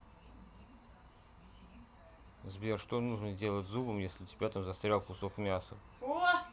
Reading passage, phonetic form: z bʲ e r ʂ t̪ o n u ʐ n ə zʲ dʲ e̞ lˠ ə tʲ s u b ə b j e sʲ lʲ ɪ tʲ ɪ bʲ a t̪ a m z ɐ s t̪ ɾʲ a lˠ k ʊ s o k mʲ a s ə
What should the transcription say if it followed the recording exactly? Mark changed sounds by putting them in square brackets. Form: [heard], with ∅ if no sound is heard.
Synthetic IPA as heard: z bʲ e r ʂ t̪ o n u ʐ n ə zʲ dʲ e̞ lˠ ə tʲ [z] u b ə [m] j e sʲ lʲ ɪ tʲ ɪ bʲ a t̪ a m z ɐ s t̪ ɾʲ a lˠ k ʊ s o k mʲ a s ə